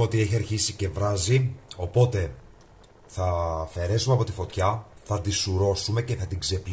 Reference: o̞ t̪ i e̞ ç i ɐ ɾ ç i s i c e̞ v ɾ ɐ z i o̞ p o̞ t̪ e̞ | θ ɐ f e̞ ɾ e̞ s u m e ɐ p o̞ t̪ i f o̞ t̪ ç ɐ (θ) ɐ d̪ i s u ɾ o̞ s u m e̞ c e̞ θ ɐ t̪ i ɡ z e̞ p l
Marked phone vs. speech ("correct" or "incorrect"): correct